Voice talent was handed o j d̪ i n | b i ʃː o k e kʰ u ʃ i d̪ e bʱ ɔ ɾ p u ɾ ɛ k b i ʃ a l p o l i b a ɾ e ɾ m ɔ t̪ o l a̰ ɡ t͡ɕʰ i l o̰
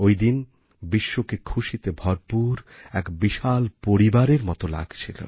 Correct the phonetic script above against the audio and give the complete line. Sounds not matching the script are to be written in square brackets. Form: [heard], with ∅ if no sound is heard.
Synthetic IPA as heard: o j d̪ i n | b i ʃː o k e kʰ u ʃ i [t̪] e bʱ ɔ ɾ p u ɾ ɛ k b i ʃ a l p o [ɾ] i b a ɾ e ɾ m ɔ t̪ o l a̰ ɡ t͡ɕʰ i l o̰